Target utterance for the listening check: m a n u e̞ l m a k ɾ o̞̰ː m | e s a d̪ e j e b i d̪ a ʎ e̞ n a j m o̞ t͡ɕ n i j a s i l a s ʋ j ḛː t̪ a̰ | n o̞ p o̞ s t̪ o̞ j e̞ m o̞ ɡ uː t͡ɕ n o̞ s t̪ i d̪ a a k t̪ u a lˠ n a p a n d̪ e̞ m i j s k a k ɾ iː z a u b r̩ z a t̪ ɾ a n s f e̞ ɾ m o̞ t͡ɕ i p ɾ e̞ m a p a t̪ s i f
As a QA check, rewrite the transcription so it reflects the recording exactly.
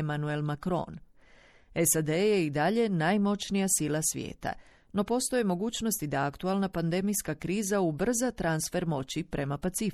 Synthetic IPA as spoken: m a n u e̞ l m a k ɾ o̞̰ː n | e s a d̪ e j e i d̪ a ʎ e̞ n a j m o̞ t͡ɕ n i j a s i l a s ʋ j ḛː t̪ a̰ | n o̞ p o̞ s t̪ o̞ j e̞ m o̞ ɡ uː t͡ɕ n o̞ s t̪ i d̪ a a k t̪ u a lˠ n a p a n d̪ e̞ m i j s k a k ɾ iː z a u b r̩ z a t̪ ɾ a n s f e̞ ɾ m o̞ t͡ɕ i p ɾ e̞ m a p a t̪ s i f